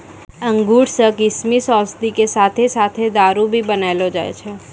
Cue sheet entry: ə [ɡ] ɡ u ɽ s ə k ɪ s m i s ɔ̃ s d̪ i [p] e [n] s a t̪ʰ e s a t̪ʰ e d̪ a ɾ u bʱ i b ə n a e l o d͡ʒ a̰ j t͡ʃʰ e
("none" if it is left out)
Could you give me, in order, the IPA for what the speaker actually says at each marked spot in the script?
ŋ, k, none

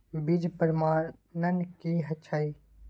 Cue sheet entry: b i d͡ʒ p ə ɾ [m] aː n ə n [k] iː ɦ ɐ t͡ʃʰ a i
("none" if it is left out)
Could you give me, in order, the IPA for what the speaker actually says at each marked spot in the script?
m, k

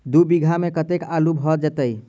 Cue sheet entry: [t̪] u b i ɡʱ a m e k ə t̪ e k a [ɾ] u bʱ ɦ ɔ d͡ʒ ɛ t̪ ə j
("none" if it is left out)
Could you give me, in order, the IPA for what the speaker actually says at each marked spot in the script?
d̪, l

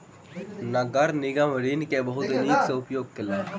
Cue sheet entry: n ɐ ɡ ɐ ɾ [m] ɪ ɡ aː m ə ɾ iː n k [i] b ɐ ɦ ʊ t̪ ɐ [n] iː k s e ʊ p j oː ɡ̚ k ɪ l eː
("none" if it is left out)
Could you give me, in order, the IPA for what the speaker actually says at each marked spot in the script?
n, e, n

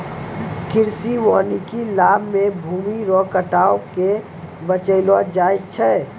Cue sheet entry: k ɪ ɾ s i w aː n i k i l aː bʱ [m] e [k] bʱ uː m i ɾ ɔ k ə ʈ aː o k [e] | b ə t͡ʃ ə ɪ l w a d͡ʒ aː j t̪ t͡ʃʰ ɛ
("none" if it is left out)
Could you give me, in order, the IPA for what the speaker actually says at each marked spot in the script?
m, none, e

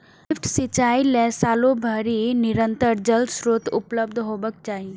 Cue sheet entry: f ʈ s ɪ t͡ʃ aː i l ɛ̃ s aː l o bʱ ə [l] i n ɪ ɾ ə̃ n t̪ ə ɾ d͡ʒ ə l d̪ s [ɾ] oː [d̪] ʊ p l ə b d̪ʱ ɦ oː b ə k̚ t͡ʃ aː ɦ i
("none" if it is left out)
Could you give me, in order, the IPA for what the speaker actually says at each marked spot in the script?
ɾ, ɾ, t̪

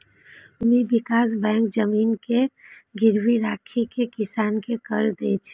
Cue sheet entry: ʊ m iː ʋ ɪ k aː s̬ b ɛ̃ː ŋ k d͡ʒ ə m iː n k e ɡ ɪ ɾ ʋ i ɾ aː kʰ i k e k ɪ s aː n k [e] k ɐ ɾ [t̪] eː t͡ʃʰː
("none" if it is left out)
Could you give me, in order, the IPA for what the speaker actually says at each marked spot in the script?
e, d̪

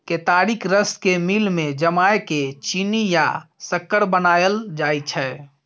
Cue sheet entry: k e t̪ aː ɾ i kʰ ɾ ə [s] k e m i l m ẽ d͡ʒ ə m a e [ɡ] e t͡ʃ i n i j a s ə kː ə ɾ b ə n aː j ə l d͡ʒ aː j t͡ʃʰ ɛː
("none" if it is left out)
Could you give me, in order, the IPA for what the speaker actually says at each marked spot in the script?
s, k

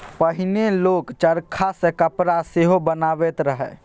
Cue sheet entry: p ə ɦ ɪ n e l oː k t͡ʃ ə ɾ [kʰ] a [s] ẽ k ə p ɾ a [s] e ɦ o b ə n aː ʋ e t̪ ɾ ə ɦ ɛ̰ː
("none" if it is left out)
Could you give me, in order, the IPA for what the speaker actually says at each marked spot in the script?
kʰ, s, s

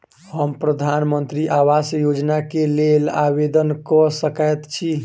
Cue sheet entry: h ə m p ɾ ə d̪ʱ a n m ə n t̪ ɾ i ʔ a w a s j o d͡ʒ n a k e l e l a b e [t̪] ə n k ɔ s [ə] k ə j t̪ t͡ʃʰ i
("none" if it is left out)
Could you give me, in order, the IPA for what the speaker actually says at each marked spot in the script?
d̪, ə

